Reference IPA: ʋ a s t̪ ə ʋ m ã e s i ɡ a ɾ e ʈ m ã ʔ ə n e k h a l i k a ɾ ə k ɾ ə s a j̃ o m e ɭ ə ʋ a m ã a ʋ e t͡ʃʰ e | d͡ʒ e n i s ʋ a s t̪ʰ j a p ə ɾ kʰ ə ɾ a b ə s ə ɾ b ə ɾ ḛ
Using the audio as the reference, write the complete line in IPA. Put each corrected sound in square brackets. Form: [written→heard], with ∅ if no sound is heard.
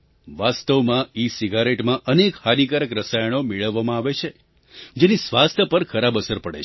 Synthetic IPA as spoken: ʋ a s t̪ ə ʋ m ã [e→i] s i ɡ a ɾ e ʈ m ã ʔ ə n e k h a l i k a ɾ ə k ɾ ə s a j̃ o m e ɭ ə [ʋ→ʋː] a m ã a ʋ e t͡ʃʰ e | d͡ʒ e n i s ʋ a s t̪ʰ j [a→ə] p ə ɾ kʰ ə ɾ a b ə s ə ɾ [b→p] ə [ɾ→ɽ] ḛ